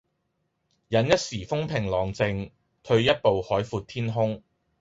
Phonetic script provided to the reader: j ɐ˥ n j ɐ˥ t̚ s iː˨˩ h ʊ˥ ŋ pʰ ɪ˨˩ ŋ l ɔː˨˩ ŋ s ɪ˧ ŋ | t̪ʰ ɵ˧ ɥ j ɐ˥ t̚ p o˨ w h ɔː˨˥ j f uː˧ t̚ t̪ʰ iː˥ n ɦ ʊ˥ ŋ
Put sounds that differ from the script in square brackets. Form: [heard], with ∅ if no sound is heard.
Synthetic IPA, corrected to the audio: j [ɐ˨˥] n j ɐ˥ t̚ s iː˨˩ [f] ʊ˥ ŋ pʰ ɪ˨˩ ŋ l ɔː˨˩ ŋ [t͡s] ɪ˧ ŋ | t̪ʰ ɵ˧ ɥ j ɐ˥ t̚ p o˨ w h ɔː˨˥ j f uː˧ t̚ t̪ʰ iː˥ n ɦ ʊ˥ ŋ